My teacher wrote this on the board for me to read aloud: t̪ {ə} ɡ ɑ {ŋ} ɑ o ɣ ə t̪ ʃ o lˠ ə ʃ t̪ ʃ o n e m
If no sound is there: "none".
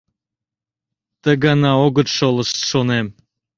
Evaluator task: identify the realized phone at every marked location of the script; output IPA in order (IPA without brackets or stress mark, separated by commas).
ə, n